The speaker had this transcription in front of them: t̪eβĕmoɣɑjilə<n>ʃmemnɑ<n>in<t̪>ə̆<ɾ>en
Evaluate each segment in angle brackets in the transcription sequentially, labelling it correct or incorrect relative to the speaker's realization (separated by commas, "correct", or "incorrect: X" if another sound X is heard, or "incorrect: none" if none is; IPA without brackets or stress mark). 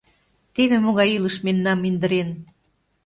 incorrect: none, incorrect: m, incorrect: d̪, correct